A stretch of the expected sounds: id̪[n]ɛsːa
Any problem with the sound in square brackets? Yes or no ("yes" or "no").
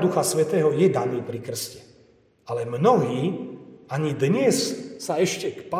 yes